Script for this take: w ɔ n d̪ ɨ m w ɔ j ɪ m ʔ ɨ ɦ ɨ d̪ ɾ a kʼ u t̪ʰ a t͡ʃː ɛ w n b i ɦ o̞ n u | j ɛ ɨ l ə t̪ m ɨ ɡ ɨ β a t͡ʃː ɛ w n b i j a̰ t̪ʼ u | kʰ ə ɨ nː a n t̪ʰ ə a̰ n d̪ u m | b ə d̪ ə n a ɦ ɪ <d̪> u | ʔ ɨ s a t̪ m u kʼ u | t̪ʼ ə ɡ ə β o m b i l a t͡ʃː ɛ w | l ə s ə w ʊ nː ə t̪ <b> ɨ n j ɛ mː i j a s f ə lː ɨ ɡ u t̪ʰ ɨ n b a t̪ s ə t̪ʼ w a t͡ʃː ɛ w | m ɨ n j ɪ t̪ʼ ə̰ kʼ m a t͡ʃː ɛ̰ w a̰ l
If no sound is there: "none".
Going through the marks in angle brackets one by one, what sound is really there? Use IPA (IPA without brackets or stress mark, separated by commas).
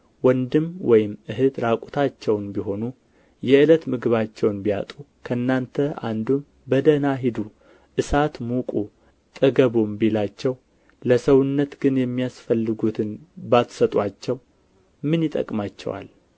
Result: d̪, ɡ